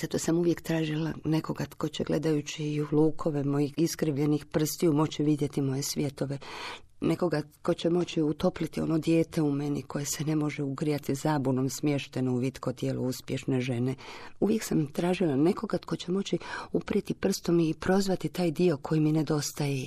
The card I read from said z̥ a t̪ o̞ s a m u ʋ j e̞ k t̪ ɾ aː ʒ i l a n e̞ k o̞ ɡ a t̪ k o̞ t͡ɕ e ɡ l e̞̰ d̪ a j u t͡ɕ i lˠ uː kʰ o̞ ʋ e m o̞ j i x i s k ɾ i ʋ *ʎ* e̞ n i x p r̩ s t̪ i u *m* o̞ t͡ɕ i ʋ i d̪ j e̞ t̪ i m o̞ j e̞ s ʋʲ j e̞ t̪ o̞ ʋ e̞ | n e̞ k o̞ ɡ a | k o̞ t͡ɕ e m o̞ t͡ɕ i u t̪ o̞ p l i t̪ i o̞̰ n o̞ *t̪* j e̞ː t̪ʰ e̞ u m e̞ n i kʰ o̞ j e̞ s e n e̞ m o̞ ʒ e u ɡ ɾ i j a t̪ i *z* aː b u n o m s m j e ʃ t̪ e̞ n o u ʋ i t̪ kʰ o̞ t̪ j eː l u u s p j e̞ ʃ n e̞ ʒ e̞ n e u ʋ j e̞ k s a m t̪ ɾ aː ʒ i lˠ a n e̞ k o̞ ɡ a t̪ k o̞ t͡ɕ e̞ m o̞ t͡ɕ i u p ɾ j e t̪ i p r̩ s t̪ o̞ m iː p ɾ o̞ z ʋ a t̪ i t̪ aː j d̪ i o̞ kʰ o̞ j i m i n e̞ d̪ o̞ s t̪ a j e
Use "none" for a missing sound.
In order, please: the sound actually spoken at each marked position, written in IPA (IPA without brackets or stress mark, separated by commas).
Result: ʎ, m, d̪, z